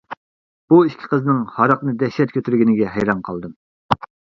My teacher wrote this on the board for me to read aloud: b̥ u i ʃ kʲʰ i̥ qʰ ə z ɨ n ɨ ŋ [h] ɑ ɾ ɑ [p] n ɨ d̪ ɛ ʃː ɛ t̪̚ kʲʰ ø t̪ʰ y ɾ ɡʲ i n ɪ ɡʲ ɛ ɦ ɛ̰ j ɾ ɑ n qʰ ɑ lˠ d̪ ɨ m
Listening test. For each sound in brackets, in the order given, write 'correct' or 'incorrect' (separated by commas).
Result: correct, incorrect